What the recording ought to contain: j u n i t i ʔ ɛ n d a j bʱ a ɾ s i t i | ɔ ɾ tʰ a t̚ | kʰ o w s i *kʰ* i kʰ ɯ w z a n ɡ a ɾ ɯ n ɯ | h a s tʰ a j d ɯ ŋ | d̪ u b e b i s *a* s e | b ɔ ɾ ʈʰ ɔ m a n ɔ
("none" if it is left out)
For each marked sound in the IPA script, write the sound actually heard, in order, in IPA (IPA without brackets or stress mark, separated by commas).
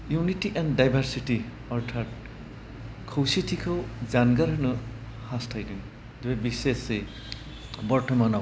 tʰ, e